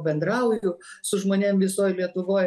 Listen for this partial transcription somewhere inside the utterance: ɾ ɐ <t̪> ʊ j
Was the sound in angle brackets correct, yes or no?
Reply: no